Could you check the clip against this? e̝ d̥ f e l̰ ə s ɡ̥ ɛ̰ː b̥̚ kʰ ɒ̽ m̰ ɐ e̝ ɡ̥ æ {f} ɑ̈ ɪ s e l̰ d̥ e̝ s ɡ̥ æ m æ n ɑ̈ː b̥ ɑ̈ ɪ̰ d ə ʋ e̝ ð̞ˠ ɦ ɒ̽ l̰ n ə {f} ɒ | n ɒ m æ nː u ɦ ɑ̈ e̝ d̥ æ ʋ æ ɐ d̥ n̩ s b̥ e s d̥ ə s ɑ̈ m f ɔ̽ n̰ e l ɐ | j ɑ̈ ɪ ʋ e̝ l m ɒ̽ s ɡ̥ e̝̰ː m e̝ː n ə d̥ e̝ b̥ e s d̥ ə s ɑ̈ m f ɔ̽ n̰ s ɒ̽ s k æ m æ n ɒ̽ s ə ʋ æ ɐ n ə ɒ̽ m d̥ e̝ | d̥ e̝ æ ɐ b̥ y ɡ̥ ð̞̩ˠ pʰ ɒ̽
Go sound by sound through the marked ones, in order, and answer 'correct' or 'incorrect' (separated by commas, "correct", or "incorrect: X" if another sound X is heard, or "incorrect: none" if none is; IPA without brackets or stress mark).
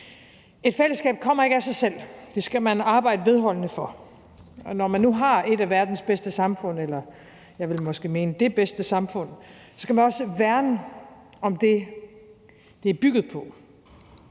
incorrect: s, correct